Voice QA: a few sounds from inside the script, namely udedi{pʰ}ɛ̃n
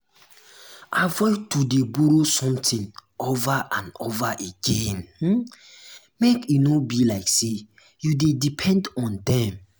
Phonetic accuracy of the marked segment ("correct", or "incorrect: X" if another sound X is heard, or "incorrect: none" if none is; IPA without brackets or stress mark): correct